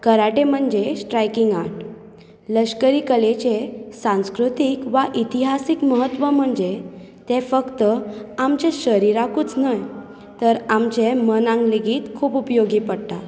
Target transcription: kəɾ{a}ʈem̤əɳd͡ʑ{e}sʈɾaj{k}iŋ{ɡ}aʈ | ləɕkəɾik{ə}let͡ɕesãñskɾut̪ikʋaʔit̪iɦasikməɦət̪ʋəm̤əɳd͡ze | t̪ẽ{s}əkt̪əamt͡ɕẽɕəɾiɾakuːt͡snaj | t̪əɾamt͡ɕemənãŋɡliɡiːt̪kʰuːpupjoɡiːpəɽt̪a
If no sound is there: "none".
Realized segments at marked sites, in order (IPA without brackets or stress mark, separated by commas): a, e, k, ɡ, ə, f